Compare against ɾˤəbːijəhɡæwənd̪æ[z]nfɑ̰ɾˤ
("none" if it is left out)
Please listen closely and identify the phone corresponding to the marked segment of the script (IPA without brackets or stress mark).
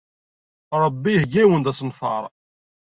s